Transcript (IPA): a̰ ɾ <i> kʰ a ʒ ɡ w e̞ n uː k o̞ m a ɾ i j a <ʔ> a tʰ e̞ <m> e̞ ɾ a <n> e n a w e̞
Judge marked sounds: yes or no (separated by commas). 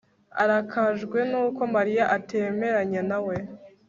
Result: no, yes, yes, no